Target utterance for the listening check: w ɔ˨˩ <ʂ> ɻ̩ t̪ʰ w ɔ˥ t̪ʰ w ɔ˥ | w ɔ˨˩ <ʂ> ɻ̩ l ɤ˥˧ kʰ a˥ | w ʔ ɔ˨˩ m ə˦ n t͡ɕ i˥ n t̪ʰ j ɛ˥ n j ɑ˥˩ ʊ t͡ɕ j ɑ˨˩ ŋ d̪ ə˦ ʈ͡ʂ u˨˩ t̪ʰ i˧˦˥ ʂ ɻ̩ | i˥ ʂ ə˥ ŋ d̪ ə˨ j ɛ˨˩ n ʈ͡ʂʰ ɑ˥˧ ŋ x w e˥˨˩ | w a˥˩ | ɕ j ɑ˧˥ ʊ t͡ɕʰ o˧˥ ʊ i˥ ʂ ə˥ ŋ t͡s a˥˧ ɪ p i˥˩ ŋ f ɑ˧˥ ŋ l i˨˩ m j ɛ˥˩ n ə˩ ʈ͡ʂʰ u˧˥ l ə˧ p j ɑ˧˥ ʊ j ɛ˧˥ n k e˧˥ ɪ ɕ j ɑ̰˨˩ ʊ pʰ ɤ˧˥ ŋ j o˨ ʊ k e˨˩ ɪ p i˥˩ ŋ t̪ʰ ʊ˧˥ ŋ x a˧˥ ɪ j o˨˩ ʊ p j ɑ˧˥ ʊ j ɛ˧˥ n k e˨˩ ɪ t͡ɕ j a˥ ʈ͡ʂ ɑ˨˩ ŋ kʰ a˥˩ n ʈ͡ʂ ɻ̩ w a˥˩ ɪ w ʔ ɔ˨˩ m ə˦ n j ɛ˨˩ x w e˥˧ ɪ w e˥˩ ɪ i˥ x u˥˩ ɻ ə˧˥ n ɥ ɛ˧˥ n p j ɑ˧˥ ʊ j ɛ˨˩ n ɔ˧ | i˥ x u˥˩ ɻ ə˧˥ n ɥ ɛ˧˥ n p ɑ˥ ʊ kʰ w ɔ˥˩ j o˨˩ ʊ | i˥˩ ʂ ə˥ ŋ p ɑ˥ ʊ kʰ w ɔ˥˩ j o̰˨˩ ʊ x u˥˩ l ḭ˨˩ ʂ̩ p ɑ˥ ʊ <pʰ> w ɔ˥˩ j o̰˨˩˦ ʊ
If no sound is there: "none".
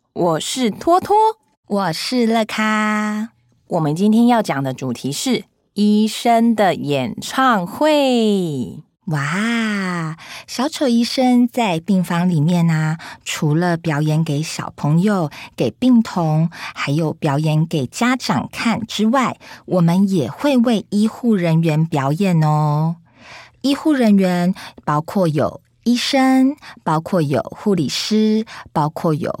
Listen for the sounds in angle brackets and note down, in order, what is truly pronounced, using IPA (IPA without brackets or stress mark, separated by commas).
ʂ, ʂ, kʰ